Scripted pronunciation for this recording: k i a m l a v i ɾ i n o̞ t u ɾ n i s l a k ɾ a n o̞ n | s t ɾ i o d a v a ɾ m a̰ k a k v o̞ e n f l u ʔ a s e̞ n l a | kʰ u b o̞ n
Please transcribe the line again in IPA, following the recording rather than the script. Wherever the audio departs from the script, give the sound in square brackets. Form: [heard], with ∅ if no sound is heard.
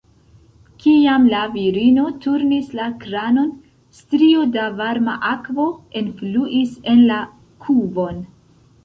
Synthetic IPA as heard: k i a m l a v i ɾ i n o̞ t u ɾ n i s l a k ɾ a n o̞ n | s t ɾ i o d a v a ɾ m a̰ [ʔ] a k v o̞ e n f l u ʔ [i] s e̞ n l a | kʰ u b o̞ n